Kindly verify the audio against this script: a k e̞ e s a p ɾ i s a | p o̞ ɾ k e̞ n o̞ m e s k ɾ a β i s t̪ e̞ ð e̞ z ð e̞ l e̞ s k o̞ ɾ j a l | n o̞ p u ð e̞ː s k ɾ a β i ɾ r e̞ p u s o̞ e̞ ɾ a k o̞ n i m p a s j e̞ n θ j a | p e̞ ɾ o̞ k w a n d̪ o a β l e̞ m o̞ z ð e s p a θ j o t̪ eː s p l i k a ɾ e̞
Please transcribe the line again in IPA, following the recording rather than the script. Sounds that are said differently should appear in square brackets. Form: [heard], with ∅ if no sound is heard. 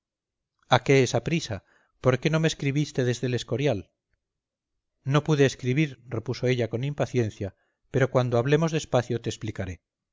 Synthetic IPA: a k e̞ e s a p ɾ i s a | p o̞ ɾ k e̞ n o̞ m e s k ɾ [i] β i s t̪ e̞ ð e̞ z ð e̞ l e̞ s k o̞ ɾ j a l | n o̞ p u ð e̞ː s k ɾ [i] β i ɾ r e̞ p u s o̞ e̞ [ʎ] a k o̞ n i m p a [θ] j e̞ n θ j a | p e̞ ɾ o̞ k w a n d̪ o a β l e̞ m o̞ z ð e s p a θ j o t̪ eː s p l i k a ɾ e̞